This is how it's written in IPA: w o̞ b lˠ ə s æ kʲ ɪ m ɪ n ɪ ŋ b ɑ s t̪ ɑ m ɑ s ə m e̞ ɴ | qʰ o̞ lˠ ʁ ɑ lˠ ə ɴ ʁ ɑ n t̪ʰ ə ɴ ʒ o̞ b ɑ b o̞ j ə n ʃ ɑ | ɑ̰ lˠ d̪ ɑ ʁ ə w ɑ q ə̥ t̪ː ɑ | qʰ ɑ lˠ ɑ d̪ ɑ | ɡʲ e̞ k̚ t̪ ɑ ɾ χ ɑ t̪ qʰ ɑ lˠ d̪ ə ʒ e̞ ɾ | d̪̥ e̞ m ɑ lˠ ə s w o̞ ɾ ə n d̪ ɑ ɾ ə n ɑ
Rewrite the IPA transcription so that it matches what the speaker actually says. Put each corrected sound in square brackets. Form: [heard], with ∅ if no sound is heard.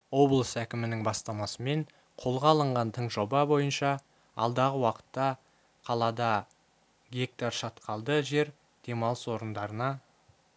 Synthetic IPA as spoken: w o̞ b lˠ ə s æ kʲ ɪ m ɪ n ɪ ŋ b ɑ s t̪ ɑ m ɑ s ə m e̞ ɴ | qʰ o̞ lˠ ʁ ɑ lˠ ə ɴ ʁ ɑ n t̪ʰ ə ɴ ʒ o̞ b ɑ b o̞ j ə n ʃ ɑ | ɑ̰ lˠ d̪ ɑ ʁ ə w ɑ q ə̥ t̪ː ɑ | qʰ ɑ lˠ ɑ d̪ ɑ | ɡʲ e̞ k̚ t̪ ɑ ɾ [ʃ] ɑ t̪ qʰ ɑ lˠ d̪ ə ʒ e̞ ɾ | d̪̥ e̞ m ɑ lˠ ə s w o̞ ɾ ə n d̪ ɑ ɾ ə n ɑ